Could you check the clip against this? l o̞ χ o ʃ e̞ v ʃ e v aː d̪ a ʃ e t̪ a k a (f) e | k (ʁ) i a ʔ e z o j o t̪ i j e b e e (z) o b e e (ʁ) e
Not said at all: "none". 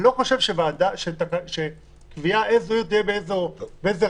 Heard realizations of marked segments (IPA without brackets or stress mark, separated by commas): ʃ, v, z, z